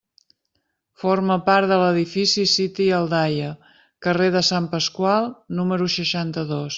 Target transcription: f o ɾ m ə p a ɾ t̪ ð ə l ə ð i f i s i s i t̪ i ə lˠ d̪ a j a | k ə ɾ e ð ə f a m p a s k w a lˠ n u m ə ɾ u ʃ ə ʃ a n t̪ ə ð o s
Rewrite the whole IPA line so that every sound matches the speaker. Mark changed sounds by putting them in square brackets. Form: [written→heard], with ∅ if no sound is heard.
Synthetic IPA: f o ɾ m ə p a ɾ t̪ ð ə l ə ð i f i s i s i t̪ i ə lˠ d̪ a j [a→ə] | k ə [ɾ→r] e ð ə [f→s] a m p [a→ə] s k w a lˠ n u m ə ɾ u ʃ ə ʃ a n t̪ ə ð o s